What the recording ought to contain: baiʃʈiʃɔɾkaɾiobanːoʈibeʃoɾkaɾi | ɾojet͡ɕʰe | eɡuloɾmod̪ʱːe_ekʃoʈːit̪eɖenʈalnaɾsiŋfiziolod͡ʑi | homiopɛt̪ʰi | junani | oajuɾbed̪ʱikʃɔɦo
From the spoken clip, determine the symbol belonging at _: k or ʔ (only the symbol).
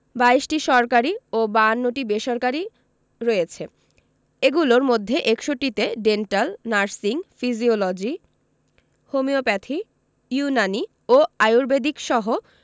ʔ